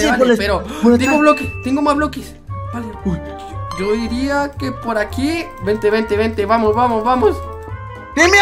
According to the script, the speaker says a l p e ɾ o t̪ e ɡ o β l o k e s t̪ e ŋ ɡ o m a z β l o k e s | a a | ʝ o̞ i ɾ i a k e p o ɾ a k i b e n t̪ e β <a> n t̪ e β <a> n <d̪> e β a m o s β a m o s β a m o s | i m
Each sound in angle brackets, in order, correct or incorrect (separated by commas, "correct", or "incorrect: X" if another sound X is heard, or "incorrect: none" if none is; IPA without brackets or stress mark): incorrect: e, incorrect: e, incorrect: t̪